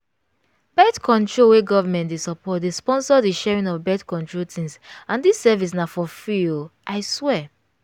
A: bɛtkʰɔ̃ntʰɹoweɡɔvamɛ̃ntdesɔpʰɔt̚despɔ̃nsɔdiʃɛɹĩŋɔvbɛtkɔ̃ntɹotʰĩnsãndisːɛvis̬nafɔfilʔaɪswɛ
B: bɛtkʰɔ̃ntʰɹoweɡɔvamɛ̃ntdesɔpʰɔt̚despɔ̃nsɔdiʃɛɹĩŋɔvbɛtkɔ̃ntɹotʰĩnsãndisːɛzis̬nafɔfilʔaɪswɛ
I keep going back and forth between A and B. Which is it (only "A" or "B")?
A